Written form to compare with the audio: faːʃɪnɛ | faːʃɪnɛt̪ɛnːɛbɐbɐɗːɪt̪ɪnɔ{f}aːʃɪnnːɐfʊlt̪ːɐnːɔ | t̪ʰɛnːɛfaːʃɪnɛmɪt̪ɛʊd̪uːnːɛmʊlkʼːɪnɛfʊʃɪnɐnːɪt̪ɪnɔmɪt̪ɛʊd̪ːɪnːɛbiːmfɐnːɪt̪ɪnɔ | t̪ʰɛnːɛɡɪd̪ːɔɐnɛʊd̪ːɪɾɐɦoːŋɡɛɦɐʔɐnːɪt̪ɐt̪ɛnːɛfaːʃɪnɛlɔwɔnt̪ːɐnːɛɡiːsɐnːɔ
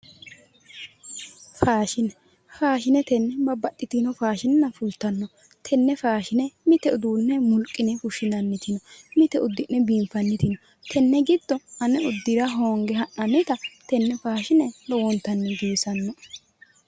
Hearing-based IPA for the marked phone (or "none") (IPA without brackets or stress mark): f